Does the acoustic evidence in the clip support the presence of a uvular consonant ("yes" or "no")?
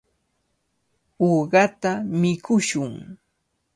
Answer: yes